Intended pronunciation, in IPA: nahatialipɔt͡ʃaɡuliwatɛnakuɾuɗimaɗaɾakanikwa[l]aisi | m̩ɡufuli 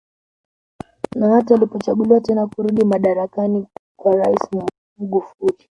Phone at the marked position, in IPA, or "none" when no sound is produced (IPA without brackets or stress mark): ɾ